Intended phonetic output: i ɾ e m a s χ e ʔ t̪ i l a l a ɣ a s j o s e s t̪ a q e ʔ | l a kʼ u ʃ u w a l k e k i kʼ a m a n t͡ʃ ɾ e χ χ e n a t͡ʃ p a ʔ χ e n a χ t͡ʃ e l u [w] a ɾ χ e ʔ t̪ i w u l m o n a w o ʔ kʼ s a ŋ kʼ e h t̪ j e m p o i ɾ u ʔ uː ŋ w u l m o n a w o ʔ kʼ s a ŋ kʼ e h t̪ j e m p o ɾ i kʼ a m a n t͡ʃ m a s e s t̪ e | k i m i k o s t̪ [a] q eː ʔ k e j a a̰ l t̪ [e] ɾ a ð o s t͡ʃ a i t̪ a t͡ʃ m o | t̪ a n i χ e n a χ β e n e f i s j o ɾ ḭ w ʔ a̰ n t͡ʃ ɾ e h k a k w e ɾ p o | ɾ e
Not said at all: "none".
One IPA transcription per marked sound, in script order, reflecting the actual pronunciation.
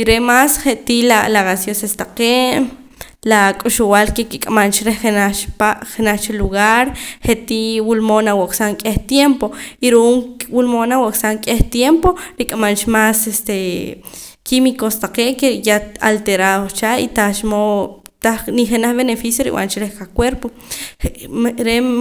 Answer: ɣ, a, e

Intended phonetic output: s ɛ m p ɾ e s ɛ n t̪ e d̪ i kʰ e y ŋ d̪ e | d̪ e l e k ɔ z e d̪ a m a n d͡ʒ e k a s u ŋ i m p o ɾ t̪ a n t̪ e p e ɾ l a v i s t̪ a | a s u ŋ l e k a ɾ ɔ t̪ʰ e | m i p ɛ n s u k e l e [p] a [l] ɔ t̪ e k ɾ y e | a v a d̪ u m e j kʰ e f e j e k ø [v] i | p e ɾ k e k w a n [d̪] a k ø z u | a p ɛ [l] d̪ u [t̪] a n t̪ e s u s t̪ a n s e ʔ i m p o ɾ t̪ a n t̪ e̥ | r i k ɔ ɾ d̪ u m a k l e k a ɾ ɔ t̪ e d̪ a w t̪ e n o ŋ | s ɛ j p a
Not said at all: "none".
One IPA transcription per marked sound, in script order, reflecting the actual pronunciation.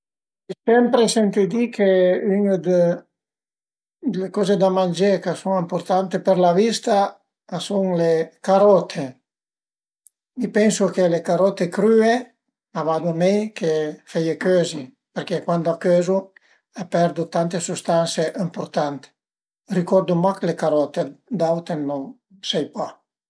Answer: k, ɾ, z, d̪, ɾ, t̪

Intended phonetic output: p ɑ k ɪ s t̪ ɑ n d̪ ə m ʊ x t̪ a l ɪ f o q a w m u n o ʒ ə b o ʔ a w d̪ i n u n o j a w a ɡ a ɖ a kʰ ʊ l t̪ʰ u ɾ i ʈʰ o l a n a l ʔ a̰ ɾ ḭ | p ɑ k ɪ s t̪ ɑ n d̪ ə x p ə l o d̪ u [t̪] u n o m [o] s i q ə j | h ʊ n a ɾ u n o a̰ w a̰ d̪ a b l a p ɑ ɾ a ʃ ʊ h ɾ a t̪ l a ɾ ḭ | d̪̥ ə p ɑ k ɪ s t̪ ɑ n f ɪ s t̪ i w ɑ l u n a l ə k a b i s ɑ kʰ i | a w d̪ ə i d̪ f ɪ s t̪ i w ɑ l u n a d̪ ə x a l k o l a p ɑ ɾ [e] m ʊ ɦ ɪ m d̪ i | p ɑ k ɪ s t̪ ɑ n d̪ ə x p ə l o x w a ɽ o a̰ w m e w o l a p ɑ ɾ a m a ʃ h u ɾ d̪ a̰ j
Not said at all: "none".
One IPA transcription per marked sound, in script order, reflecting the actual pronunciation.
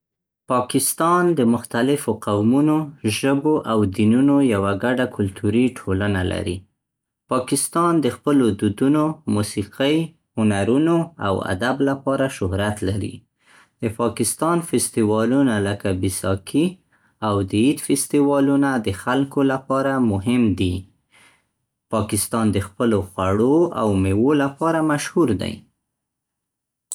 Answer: d̪, u, a

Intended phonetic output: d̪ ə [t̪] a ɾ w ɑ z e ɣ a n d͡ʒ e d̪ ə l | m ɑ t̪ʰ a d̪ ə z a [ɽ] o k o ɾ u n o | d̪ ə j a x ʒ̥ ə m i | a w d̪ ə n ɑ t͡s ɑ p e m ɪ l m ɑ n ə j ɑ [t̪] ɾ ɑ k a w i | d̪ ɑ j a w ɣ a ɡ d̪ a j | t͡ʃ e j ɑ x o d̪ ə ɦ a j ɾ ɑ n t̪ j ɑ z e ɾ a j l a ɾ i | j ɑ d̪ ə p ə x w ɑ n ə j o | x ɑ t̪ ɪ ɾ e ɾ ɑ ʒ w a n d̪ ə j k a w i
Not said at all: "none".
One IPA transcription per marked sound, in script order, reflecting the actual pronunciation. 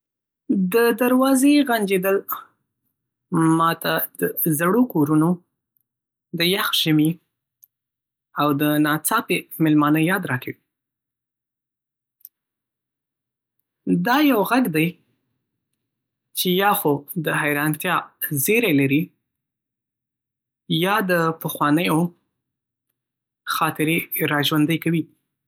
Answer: d̪, ɽ, d̪

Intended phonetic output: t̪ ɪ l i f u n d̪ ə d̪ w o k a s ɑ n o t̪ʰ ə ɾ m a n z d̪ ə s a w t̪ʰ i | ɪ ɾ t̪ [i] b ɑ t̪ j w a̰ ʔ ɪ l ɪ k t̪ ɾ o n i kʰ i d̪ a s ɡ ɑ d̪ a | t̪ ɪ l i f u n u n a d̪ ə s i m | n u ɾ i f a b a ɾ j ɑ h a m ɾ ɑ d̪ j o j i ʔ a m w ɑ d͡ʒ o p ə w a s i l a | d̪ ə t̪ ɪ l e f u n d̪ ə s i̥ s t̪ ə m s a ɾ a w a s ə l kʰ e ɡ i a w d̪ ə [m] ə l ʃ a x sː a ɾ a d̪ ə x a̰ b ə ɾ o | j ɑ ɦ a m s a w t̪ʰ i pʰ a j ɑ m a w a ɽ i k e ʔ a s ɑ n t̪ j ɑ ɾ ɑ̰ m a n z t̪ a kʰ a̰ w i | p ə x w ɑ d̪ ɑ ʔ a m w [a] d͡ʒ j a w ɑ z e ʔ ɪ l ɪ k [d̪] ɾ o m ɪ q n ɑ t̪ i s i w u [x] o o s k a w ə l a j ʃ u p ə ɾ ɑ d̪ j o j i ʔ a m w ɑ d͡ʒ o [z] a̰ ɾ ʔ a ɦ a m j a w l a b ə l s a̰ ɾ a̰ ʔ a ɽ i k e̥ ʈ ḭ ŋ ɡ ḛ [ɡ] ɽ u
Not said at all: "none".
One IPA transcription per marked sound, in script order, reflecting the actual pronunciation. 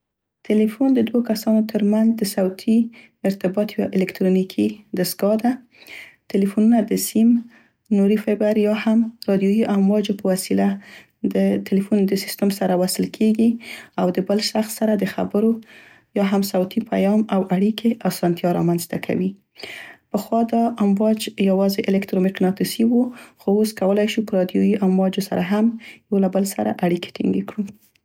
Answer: ɪ, b, ɑ, t̪, x, s, k

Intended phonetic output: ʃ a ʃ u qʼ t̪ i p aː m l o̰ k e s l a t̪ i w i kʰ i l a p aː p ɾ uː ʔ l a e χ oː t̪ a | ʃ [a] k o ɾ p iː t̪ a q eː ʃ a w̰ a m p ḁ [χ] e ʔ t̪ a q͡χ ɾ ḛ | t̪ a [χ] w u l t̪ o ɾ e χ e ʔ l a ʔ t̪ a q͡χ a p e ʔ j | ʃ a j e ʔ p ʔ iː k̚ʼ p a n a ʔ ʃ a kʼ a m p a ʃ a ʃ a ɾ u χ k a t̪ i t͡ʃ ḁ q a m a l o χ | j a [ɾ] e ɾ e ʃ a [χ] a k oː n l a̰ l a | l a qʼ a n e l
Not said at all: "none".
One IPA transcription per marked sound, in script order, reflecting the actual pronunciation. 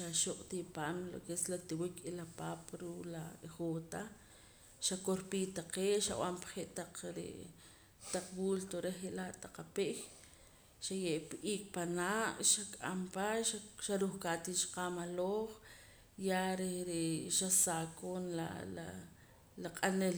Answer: a, χ, q͡χ, ɾ, s

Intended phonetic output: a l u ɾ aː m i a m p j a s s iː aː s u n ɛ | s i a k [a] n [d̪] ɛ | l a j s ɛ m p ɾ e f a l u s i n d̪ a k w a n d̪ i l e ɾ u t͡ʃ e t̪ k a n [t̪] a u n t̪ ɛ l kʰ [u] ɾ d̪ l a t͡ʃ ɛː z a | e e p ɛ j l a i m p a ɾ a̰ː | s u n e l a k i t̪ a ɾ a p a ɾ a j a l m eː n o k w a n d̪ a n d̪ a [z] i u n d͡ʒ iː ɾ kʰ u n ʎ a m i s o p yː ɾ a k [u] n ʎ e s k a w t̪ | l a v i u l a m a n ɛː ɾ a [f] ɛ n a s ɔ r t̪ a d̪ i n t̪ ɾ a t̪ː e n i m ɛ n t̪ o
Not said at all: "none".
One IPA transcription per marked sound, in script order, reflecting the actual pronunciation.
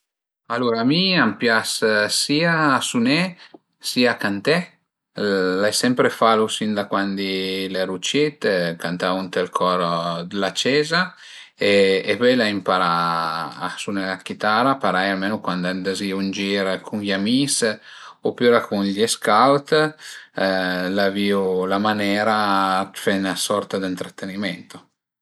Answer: a, t̪, t̪, ɔ, z, u, f

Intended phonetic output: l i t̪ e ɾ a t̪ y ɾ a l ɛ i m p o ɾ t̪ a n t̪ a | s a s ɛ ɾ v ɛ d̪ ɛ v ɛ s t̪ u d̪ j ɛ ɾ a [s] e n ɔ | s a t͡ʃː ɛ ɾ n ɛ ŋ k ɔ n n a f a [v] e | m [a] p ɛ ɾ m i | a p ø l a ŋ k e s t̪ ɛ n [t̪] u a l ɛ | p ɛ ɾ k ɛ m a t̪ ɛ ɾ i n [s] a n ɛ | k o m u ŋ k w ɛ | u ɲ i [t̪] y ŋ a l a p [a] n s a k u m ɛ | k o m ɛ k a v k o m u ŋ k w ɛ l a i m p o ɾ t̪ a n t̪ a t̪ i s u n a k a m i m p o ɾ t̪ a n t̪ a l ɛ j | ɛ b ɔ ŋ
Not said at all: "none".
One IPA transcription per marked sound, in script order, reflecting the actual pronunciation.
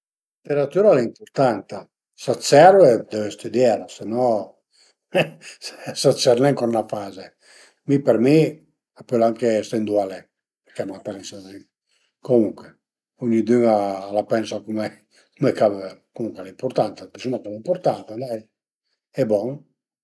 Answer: s, z, i, d̪, s, d̪, ɛ

